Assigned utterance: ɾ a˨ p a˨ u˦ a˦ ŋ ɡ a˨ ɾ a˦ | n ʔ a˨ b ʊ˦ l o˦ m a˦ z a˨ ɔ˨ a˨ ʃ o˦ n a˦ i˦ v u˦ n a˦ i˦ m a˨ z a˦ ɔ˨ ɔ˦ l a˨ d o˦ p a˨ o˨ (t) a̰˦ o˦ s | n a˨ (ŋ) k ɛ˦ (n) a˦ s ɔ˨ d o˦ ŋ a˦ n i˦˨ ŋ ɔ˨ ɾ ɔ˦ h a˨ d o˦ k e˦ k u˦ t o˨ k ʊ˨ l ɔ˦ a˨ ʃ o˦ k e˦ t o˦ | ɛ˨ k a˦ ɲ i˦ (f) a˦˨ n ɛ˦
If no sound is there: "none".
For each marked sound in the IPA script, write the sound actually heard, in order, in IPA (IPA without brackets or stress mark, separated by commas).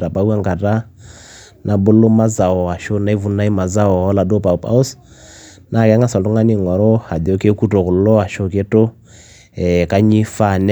p, none, ŋ, f